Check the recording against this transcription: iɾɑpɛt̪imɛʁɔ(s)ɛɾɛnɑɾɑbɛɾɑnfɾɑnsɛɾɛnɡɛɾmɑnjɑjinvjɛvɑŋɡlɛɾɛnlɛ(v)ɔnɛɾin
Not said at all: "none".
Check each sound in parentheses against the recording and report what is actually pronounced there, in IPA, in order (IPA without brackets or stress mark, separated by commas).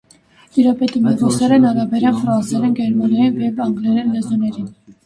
s, z